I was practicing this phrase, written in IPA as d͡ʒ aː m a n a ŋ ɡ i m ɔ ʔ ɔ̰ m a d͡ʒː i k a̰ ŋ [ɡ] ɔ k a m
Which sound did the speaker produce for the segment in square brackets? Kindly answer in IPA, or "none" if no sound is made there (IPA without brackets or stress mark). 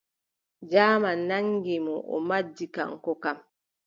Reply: k